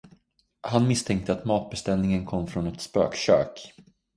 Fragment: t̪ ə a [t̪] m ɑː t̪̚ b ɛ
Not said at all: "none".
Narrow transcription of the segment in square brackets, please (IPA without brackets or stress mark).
t̪